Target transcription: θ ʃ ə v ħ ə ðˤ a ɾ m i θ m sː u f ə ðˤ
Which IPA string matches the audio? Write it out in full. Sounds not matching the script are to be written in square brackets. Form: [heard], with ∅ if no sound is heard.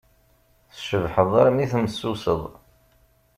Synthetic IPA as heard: θ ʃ ə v ħ ə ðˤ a ɾ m i θ m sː u [s] ə ðˤ

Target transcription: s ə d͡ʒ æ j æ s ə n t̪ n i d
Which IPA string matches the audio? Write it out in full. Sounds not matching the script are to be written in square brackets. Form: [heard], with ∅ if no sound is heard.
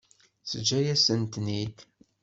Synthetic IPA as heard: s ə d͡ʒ æ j æ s ə n t̪ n i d

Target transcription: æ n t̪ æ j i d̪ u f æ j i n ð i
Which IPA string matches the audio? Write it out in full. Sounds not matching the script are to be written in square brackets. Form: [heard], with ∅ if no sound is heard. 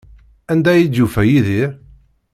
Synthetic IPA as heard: æ n [d̪] æ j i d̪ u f æ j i [∅] ð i

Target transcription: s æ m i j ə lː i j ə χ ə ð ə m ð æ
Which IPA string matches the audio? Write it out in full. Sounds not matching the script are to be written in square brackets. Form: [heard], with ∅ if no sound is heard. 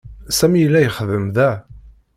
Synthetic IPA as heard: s æ m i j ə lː [æ] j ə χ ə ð ə m ð æ

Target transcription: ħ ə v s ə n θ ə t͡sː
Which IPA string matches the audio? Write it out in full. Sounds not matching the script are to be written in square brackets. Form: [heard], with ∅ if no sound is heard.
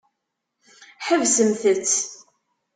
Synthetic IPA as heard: ħ ə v s ə [m] θ ə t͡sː

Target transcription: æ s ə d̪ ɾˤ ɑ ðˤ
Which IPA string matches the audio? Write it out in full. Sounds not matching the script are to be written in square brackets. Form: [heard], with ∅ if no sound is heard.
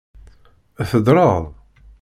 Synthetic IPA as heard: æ [θ] ə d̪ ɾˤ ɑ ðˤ

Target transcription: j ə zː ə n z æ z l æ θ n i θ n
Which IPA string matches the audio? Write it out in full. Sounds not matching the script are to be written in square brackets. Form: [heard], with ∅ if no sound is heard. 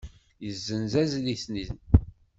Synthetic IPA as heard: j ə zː ə n z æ z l [i] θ n i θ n

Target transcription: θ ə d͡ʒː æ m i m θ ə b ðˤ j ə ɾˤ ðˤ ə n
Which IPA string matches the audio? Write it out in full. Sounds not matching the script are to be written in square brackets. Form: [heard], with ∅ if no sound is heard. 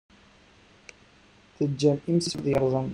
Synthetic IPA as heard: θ ə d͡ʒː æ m i m [s] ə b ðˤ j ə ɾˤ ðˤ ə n

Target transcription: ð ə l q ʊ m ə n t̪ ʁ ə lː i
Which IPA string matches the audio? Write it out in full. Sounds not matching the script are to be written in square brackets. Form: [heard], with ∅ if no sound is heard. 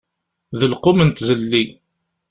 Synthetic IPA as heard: ð ə l q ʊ m ə n t̪ [z] ə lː i

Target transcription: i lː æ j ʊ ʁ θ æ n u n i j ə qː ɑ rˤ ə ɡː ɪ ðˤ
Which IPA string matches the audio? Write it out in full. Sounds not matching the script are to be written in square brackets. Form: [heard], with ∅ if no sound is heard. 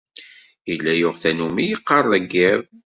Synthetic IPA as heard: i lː æ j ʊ ʁ θ æ n u [m] i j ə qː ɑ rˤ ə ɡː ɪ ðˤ

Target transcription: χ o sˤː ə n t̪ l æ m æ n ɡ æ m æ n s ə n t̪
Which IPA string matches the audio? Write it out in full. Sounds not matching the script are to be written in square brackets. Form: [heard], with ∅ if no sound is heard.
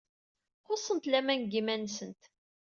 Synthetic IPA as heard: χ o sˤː ə n t̪ l æ m æ n ɡ [i] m æ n s ə n t̪

